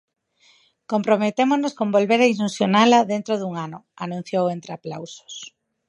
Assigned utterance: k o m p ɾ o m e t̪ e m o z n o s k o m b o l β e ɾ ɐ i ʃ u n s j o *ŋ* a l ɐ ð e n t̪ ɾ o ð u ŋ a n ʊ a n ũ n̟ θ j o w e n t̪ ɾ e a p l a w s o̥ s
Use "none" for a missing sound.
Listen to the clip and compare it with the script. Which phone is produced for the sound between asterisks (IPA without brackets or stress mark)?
n